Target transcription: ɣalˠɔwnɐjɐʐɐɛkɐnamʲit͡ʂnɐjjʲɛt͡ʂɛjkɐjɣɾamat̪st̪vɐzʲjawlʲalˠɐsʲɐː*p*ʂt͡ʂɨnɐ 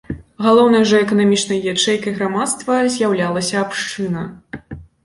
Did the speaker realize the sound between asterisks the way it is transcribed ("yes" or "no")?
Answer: yes